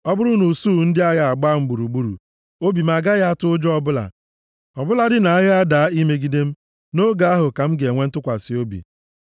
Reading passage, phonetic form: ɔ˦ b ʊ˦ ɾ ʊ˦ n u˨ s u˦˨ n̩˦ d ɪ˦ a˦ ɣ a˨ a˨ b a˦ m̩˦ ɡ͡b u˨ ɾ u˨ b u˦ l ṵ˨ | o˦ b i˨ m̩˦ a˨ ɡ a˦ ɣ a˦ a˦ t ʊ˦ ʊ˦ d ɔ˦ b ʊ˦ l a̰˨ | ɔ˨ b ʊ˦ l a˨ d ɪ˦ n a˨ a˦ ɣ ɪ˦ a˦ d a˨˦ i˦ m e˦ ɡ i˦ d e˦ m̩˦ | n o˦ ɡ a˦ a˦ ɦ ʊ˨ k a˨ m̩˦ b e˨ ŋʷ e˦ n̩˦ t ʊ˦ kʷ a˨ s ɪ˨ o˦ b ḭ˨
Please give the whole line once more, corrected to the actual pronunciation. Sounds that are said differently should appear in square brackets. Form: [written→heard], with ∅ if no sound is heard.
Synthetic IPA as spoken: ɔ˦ b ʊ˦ ɾ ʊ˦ n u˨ s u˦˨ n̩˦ d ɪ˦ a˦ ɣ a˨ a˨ [b→ɡ͡b] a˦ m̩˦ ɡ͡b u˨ ɾ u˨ [b→ɡ͡b] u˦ [l→ɾ] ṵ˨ | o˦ b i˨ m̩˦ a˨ ɡ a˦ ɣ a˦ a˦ t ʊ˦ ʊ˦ [d→d͡ʒ] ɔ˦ b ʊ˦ l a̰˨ | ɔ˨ b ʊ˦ l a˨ d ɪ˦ n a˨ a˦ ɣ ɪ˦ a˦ d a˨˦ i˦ m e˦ ɡ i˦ d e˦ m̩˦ | n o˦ ɡ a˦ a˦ ɦ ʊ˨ k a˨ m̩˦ [b→ɡ] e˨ ŋʷ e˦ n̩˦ t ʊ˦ kʷ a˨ s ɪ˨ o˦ b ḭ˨

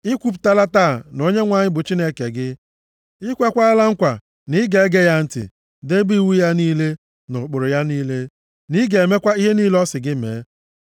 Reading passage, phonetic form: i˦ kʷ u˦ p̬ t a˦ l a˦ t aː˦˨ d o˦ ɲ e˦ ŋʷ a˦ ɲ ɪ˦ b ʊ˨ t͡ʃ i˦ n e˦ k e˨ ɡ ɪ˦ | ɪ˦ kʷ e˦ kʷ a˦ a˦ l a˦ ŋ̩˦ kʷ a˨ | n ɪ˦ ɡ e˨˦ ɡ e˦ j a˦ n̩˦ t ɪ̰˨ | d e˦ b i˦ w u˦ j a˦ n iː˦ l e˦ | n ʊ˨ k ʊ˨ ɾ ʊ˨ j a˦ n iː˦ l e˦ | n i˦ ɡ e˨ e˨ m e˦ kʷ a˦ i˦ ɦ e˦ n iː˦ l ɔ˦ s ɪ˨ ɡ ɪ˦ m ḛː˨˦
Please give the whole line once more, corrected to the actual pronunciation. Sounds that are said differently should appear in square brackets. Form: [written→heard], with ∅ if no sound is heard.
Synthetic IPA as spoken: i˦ kʷ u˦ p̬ t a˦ l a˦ t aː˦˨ [d→n] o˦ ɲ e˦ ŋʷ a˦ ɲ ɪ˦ b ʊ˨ t͡ʃ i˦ n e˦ k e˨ ɡ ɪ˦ | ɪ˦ kʷ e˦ kʷ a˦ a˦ l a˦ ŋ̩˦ kʷ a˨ | n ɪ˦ ɡ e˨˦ ɡ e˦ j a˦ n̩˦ t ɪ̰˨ | d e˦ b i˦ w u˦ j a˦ n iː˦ l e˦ | n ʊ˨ [k→k͡p] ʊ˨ ɾ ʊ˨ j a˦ n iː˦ l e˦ | n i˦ ɡ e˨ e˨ m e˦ kʷ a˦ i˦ ɦ e˦ n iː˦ l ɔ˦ s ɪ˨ ɡ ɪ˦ m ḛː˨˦

